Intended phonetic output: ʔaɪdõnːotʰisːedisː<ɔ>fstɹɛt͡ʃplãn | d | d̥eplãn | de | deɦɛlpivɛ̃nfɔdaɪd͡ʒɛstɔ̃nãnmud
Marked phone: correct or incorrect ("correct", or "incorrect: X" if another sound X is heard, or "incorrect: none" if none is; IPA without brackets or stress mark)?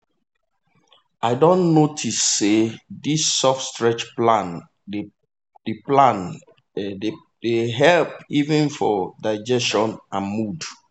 correct